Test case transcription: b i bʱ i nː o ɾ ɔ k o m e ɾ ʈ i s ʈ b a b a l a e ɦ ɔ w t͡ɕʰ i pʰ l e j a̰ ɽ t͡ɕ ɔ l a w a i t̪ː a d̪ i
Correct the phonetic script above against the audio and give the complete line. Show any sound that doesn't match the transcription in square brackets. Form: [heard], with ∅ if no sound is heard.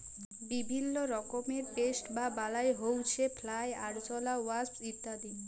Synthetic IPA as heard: b i bʱ i nː o ɾ ɔ k o m e ɾ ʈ [e] s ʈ b a b a l a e ɦ [o] w t͡ɕʰ [e] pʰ l [a] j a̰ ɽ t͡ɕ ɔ l a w a i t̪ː a d̪ i